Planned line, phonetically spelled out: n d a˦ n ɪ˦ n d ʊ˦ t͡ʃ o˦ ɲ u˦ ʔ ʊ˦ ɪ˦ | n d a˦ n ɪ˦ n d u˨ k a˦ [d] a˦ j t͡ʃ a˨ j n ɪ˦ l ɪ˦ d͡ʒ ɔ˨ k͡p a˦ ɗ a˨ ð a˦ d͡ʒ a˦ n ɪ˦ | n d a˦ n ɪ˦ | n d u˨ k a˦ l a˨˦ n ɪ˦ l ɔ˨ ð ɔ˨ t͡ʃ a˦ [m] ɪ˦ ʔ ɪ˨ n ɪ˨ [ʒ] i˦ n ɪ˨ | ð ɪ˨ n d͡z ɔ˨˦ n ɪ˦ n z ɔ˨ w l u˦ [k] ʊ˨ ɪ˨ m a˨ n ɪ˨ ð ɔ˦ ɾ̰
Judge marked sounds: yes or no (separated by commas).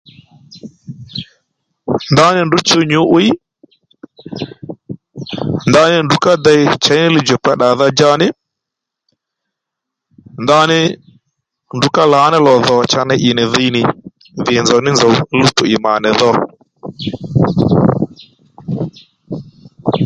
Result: yes, no, no, no